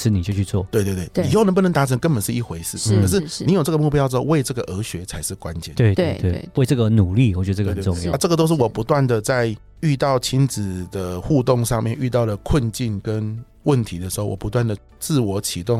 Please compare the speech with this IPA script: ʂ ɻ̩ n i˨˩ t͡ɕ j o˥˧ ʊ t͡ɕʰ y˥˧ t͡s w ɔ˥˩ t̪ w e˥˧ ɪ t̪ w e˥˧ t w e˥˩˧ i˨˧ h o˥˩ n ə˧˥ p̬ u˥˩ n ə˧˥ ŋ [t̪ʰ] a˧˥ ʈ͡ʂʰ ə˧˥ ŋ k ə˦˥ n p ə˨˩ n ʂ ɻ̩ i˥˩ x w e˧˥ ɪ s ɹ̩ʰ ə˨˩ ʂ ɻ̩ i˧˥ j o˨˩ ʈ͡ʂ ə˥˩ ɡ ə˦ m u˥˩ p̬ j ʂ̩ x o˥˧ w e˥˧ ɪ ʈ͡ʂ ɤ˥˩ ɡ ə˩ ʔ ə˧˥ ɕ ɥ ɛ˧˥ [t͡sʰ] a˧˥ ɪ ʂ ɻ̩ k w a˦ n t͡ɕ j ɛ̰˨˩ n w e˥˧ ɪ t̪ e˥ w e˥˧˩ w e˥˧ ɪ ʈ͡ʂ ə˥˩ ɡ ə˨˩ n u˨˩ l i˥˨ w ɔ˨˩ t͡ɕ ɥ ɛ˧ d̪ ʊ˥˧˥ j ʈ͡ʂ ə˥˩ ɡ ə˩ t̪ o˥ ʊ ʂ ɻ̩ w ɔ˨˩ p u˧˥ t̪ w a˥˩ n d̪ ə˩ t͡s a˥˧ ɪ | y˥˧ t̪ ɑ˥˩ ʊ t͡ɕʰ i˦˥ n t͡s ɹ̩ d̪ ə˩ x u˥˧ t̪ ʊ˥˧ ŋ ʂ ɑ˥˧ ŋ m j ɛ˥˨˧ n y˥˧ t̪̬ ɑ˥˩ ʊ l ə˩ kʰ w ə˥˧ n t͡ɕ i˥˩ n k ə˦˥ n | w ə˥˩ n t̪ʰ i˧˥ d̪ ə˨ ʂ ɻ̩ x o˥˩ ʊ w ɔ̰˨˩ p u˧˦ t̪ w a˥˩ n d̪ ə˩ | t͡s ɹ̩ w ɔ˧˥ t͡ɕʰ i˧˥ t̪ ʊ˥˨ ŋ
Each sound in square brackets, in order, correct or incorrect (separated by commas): incorrect, correct